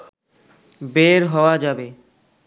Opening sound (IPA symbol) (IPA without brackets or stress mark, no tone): b